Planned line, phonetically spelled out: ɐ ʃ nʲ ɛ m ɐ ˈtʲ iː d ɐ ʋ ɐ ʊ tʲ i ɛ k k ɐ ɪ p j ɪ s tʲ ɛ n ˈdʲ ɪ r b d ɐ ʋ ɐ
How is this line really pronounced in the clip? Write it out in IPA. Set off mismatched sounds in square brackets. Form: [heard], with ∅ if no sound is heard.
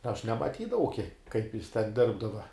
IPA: ɐ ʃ nʲ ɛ m ɐ ˈtʲ iː d ɐ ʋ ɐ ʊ [kʲ] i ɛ k k ɐ ɪ p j ɪ s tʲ ɛ n ˈdʲ ɪ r b d ɐ ʋ ɐ